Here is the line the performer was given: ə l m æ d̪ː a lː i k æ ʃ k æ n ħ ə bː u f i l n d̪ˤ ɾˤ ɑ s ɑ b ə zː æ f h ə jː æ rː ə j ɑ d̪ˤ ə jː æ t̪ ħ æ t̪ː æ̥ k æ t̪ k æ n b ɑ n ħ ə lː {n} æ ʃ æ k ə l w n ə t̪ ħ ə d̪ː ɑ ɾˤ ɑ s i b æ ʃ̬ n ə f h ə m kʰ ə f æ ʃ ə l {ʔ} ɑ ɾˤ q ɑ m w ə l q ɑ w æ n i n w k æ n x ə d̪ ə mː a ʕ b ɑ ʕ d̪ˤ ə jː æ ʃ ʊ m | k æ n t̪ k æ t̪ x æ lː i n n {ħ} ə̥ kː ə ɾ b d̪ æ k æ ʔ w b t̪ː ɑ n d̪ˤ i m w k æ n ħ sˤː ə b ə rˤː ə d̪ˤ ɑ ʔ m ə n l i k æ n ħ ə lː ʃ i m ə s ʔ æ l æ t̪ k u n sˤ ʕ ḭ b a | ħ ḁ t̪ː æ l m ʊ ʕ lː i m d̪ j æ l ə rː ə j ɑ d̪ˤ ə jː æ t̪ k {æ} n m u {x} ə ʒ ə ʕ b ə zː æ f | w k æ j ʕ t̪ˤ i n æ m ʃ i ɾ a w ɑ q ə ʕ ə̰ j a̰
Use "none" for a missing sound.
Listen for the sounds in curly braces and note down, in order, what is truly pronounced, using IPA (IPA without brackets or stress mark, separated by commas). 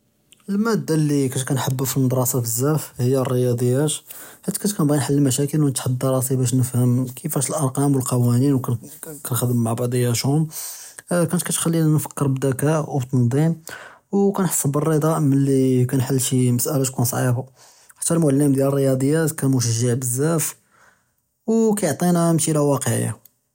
m, ʔ, f, æ, ʃ